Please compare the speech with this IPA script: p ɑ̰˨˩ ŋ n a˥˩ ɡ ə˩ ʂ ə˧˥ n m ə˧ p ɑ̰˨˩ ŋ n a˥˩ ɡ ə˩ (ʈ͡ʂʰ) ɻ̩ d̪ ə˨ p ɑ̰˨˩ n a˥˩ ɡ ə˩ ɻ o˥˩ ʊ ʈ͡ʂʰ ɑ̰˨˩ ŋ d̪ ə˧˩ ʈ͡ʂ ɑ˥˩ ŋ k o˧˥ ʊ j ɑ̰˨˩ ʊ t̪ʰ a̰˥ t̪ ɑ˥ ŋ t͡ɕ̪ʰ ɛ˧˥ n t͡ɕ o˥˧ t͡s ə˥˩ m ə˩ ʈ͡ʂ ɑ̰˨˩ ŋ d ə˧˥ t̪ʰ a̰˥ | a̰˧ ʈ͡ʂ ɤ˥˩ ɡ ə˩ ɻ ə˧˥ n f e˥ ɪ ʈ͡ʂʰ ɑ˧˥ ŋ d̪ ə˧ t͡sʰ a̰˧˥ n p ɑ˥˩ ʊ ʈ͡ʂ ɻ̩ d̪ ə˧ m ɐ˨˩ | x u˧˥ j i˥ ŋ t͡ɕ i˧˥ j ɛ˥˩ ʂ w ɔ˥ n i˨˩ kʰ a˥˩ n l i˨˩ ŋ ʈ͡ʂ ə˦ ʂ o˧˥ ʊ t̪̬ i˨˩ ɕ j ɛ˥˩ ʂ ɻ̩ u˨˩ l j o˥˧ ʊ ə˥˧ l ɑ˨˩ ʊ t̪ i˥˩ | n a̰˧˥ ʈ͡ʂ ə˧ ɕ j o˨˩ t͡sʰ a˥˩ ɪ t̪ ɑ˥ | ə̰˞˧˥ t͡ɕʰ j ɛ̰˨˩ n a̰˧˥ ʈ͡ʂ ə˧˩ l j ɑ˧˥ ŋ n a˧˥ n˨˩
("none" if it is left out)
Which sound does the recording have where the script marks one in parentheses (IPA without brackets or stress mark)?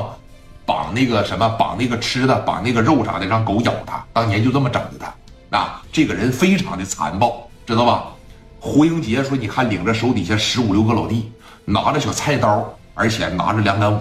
ʈ͡ʂʰ